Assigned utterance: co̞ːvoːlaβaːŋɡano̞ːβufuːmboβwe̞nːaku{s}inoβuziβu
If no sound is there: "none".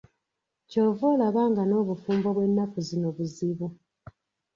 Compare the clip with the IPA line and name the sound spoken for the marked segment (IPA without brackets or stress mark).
z